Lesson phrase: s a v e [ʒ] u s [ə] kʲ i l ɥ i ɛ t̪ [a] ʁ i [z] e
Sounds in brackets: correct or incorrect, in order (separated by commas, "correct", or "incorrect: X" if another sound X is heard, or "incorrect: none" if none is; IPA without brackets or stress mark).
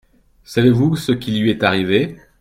incorrect: v, correct, correct, incorrect: v